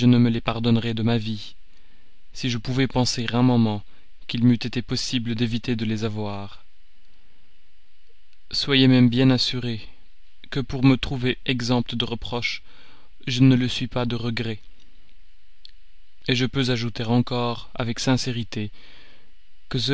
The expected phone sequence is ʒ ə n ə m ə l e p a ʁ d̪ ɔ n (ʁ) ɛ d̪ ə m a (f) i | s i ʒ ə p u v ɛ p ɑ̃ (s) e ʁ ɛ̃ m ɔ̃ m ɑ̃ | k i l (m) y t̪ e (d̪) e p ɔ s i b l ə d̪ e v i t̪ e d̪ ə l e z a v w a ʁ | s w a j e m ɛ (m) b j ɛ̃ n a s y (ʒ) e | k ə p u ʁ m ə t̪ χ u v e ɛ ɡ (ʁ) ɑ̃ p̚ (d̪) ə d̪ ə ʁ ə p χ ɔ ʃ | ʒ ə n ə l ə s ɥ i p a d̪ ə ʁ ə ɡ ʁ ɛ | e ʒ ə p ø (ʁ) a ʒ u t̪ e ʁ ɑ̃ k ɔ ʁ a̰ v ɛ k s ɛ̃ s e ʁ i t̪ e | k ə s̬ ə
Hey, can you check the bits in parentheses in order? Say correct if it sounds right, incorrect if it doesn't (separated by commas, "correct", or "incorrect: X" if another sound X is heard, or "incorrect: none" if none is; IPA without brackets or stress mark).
correct, incorrect: v, correct, correct, incorrect: t̪, correct, incorrect: ʁ, incorrect: z, incorrect: t̪, incorrect: z